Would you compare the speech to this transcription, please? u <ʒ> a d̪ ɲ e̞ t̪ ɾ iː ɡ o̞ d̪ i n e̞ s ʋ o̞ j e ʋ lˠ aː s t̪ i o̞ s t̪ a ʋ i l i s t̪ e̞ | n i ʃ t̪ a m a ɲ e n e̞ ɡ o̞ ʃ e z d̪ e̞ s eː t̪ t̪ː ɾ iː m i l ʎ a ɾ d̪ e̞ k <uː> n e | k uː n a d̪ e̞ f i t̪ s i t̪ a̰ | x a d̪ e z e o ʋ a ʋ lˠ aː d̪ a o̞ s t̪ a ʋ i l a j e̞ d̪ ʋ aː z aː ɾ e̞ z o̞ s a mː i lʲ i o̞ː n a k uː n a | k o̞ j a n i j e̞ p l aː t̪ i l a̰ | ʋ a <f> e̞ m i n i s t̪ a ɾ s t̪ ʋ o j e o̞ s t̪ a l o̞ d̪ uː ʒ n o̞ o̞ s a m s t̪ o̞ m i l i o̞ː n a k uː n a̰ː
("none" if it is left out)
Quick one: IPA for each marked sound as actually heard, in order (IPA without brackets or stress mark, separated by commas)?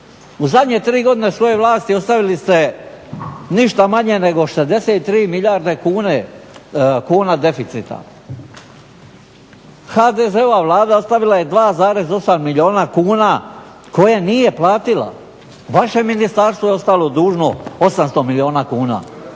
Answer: z, uː, ʃ